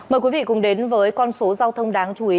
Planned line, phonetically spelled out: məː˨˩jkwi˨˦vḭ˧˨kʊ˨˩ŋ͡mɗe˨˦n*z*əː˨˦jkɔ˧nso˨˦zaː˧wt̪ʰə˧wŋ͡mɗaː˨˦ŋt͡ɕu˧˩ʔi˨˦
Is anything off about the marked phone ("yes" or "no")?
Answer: yes